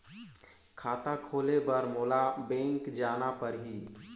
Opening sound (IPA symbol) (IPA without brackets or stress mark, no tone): kʰ